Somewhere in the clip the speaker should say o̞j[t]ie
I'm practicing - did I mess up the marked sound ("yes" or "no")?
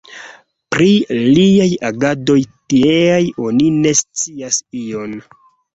no